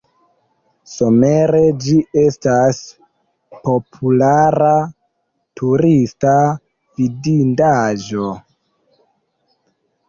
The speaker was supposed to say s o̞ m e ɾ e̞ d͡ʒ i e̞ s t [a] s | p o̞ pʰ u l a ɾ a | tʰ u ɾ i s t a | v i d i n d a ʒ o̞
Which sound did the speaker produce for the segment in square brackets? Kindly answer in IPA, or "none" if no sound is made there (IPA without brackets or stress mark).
a